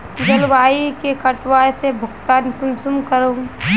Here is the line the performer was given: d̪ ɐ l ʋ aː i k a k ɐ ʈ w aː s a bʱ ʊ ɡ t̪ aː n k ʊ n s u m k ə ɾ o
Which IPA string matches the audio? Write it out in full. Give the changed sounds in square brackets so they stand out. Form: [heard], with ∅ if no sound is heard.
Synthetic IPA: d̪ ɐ l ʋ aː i k [e] k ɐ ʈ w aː s [e] bʱ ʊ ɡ t̪ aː n k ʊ n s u m k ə ɾ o